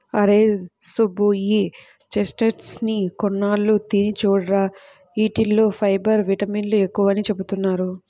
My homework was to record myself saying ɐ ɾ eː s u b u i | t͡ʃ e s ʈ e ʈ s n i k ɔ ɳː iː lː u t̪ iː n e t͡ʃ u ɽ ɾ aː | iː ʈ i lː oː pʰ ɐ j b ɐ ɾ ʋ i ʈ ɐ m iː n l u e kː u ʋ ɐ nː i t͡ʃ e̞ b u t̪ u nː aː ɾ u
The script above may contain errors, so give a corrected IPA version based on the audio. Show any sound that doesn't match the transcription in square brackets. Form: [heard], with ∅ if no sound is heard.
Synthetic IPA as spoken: ɐ ɾ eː s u b u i | t͡ʃ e s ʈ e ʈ s n i k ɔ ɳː [aː] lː u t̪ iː n [i] t͡ʃ [uː] ɽ ɾ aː | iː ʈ i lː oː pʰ ɐ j b ɐ ɾ ʋ i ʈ ɐ m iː n l u e kː u ʋ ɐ [n] i t͡ʃ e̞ b u t̪ u nː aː ɾ u